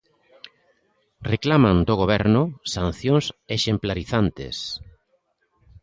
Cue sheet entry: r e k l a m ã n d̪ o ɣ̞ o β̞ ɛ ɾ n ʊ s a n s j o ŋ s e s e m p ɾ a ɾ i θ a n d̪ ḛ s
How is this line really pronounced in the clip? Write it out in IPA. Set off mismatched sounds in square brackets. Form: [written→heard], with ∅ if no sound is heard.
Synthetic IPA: r e k l a m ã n d̪ o ɣ̞ o β̞ ɛ ɾ n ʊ s a n [s→θ] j o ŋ s e [s→ʃ] e m p [ɾ→l] a ɾ i θ a n [d̪→t̪] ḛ s